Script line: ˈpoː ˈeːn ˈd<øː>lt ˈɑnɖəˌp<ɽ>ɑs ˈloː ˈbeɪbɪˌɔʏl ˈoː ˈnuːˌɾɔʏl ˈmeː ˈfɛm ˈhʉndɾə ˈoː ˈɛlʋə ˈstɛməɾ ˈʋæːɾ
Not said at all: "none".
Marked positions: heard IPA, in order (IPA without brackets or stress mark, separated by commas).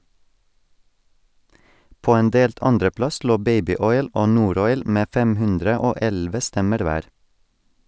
eː, l